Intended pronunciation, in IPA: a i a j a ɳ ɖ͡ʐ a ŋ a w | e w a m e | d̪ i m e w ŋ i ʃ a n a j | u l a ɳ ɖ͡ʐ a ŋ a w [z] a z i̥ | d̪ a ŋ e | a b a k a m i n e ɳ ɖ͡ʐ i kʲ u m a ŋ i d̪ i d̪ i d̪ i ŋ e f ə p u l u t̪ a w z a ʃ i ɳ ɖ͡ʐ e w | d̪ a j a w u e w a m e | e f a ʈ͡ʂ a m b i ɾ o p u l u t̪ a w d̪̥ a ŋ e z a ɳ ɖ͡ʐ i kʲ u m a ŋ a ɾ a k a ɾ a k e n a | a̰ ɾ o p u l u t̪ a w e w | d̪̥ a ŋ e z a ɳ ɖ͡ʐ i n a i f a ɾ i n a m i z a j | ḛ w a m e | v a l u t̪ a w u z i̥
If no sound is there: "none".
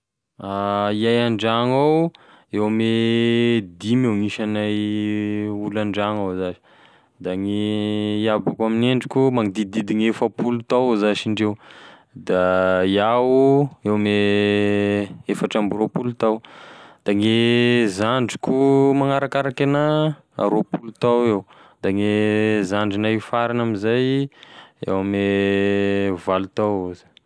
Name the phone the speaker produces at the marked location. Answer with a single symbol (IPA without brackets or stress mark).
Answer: z